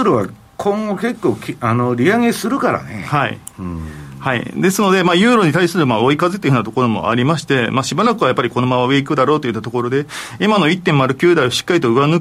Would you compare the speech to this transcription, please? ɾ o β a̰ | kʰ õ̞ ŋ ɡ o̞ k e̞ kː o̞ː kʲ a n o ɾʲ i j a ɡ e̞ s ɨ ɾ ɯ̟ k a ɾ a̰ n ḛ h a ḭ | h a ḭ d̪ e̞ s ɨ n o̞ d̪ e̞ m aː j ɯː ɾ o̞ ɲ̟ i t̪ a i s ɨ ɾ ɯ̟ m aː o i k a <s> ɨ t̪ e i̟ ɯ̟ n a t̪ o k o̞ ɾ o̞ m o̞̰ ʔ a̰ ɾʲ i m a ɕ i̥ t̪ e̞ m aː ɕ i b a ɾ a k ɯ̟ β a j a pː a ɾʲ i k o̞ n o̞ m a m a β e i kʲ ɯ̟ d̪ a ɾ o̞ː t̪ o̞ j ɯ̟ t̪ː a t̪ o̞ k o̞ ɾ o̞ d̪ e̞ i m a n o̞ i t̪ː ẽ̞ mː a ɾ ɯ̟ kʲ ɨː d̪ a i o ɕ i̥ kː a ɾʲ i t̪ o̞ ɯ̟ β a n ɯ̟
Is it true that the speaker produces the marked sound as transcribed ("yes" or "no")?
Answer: no